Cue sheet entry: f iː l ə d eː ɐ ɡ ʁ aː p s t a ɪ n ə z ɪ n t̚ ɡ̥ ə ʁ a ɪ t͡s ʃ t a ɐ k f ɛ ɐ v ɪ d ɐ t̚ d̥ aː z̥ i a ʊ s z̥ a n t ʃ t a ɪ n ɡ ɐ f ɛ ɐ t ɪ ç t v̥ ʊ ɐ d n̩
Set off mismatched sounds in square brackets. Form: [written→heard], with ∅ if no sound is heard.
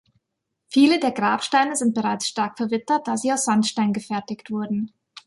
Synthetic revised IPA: f iː l ə d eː ɐ ɡ ʁ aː p [s→ʃ] t a ɪ n ə z ɪ n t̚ [ɡ̥→b̥] ə ʁ a ɪ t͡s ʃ t a ɐ k f ɛ ɐ v ɪ [d→t] ɐ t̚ d̥ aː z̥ [i→iː] a ʊ s z̥ a n t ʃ t a ɪ n ɡ [ɐ→ə] f ɛ ɐ t ɪ ç t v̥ ʊ ɐ d n̩